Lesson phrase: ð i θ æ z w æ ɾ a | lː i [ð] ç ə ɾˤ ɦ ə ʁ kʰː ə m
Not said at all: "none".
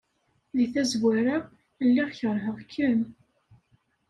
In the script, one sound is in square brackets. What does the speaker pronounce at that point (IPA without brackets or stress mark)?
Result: ʁ